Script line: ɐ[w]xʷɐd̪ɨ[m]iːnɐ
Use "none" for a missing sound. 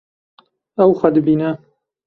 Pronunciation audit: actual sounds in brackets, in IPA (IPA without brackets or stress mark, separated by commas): w, b